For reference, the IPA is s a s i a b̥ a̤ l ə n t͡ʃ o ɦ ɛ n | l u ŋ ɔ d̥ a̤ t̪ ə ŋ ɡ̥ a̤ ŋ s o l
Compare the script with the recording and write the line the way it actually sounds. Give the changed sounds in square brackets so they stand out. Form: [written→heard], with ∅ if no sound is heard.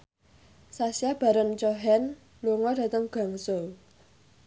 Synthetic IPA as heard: s a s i a b̥ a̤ [l→ɾ] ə n t͡ʃ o ɦ ɛ n | l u ŋ ɔ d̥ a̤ t̪ ə ŋ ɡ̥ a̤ ŋ s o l